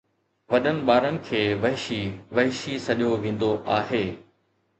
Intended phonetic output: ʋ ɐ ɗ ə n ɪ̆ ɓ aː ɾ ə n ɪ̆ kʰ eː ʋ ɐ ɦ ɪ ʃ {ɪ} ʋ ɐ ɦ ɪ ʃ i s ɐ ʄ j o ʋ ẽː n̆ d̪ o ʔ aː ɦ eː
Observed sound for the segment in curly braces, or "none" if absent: i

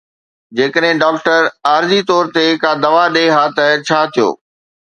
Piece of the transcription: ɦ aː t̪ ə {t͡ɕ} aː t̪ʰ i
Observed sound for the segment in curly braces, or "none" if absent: t͡ɕʰ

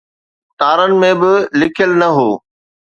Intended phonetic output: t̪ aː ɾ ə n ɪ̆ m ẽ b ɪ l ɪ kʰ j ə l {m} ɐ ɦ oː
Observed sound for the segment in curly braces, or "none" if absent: n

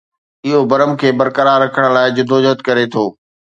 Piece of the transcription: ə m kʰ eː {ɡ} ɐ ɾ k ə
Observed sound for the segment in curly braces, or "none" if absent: b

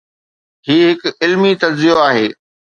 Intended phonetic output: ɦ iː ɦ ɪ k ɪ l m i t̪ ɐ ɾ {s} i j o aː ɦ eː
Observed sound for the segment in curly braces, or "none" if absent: z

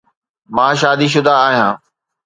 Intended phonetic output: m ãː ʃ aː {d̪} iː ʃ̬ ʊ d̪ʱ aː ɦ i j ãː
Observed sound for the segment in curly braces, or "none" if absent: d̪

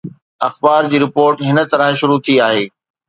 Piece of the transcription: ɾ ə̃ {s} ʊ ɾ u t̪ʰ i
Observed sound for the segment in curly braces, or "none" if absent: ʃ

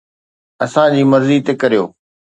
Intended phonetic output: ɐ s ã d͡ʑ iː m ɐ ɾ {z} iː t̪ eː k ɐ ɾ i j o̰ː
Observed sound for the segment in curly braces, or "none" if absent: z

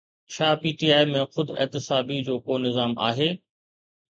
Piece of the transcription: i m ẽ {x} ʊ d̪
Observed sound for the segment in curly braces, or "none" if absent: x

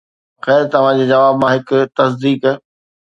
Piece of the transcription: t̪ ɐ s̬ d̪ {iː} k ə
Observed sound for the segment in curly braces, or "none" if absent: iː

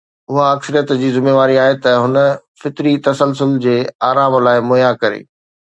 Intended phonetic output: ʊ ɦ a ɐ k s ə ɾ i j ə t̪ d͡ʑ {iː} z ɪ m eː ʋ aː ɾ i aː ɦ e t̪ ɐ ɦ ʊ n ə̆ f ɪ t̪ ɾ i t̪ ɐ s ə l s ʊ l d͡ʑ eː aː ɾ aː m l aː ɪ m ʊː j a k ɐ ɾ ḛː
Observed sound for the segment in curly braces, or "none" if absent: iː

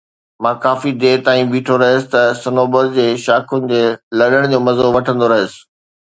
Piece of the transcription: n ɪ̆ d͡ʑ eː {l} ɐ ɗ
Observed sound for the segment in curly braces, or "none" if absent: l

